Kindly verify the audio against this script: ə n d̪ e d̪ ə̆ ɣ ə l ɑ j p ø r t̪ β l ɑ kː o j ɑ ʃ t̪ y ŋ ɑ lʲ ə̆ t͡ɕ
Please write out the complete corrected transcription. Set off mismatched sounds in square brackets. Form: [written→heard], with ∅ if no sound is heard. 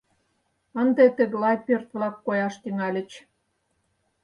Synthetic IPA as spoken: ə n d̪ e [d̪→t̪] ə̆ ɣ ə l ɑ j p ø r t̪ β l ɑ kː o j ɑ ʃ t̪ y ŋ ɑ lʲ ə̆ t͡ɕ